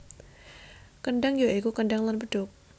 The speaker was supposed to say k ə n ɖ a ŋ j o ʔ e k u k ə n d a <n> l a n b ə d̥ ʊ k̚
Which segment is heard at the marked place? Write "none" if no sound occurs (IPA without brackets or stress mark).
ŋ